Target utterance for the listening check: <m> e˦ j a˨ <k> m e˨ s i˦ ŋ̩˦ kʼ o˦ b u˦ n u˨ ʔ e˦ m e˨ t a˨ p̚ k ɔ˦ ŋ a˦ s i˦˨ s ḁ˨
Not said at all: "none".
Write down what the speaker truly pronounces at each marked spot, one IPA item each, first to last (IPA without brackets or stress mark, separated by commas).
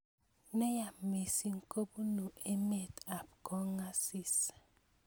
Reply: n, none